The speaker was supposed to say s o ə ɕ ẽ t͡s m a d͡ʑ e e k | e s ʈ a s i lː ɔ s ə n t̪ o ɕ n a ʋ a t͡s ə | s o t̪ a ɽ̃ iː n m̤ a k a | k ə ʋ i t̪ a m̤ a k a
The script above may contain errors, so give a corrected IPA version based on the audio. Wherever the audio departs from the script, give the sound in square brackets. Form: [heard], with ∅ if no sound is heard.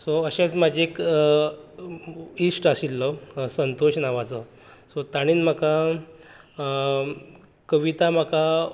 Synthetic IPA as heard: s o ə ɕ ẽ t͡s m a d͡ʑ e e k | [i] s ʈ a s i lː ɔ s ə n t̪ o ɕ n a ʋ a t͡s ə | s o t̪ a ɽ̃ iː n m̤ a k a | k ə ʋ i t̪ a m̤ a k a